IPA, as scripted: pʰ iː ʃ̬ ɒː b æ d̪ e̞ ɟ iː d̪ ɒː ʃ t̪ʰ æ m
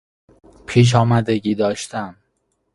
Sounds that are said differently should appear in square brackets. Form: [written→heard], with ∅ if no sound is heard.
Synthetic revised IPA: pʰ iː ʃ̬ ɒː [b→m] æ d̪ e̞ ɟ iː d̪ ɒː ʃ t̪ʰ æ m